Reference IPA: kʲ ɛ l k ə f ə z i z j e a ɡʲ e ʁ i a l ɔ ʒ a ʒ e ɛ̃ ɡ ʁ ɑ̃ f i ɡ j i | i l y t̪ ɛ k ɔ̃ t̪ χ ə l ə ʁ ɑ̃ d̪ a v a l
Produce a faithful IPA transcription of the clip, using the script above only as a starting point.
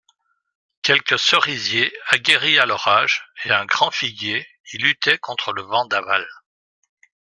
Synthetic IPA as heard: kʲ ɛ l k ə s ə ʁ i z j e a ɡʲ e ʁ i a l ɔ ʁ a ʒ e ɛ̃ ɡ ʁ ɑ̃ f i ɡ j e | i l y t̪ ɛ k ɔ̃ t̪ χ ə l ə v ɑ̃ d̪ a v a l